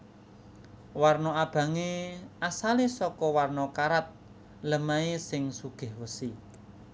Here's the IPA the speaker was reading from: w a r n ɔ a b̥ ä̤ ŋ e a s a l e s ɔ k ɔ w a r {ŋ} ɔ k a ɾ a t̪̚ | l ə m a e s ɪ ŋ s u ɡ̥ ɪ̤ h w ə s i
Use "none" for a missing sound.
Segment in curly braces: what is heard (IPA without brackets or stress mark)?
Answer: n